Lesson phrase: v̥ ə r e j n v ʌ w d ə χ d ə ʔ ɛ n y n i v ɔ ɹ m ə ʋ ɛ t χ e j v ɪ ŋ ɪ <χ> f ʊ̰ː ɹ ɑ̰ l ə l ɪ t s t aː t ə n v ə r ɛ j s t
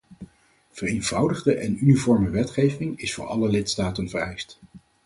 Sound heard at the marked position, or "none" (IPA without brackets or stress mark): s